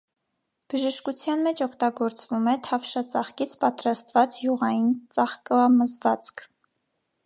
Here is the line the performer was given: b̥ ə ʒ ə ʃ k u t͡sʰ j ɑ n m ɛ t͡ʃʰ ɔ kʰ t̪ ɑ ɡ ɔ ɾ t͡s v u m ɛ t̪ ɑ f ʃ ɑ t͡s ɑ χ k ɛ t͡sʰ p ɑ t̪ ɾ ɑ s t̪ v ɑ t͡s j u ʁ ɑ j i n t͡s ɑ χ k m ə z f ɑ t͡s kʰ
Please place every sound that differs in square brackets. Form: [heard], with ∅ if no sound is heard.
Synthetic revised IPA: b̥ ə ʒ ə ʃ k u t͡sʰ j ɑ n m ɛ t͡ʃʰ ɔ kʰ t̪ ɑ ɡ ɔ ɾ t͡s v u m ɛ [t̪ʰ] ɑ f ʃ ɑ t͡s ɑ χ k [i] t͡sʰ p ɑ t̪ ɾ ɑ s t̪ v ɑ t͡s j u ʁ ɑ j i n t͡s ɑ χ k m ə z [v] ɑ t͡s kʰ